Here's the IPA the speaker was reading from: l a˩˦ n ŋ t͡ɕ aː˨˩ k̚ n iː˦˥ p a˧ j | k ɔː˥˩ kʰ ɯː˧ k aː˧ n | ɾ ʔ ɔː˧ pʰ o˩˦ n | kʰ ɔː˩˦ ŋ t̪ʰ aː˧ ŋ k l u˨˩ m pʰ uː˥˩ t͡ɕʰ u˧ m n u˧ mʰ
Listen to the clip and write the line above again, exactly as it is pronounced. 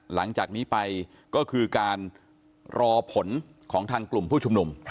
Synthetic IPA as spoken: l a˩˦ ŋ t͡ɕ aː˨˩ k̚ n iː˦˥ p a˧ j | k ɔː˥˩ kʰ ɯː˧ k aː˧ n | ɾ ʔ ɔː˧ pʰ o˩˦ n | kʰ ɔː˩˦ ŋ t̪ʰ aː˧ ŋ k l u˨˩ m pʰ uː˥˩ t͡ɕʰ u˧ m n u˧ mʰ